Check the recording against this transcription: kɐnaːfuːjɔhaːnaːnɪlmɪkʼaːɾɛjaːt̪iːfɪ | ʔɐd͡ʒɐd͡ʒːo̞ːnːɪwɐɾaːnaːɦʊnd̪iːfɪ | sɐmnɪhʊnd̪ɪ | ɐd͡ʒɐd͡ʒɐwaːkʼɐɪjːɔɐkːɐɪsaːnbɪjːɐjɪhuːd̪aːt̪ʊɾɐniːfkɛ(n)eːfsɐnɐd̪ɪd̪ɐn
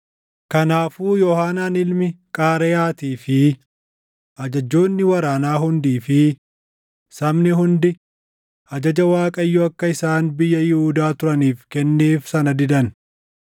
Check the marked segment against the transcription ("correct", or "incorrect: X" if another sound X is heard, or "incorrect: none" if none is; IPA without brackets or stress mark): incorrect: nː